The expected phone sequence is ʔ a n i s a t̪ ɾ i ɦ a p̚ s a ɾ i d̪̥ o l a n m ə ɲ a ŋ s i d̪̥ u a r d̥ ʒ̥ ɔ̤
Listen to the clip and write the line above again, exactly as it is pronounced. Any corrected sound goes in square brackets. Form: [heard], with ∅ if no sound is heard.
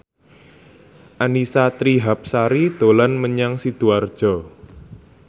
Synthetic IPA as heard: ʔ a n i s a t̪ ɾ i ɦ a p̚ s a ɾ i d̪̥ o l a n m ə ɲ a ŋ s i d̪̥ u a r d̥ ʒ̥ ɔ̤

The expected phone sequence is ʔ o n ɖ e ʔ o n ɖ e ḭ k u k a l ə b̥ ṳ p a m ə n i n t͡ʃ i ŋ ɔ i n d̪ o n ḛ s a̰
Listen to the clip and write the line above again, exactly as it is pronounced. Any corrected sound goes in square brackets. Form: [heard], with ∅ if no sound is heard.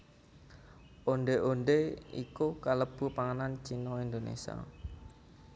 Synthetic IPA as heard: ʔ o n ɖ e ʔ o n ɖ e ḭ k u k a l ə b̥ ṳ p a [ŋ] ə n [a] n t͡ʃ i [n] ɔ i n d̪ o n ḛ s a̰

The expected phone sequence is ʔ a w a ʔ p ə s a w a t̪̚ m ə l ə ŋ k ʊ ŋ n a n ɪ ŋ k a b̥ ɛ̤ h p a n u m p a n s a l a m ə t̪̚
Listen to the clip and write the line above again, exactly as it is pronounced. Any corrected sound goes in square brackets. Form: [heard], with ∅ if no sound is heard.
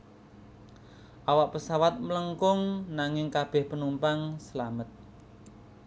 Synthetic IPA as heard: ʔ a w a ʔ p ə s a w a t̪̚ m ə l ə ŋ k ʊ ŋ n a [ŋ] ɪ ŋ k a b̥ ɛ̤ h p [ə] n u m p a [ŋ] s [ə] l a m ə t̪̚

